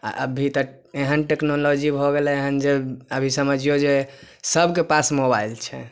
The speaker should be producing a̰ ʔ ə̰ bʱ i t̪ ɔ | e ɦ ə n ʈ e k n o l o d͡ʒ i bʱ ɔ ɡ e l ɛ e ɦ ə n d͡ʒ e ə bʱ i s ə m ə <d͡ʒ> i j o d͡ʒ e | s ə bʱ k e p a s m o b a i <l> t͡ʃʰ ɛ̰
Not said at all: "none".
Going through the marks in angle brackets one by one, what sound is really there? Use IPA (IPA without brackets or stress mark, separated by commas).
d͡ʒ, l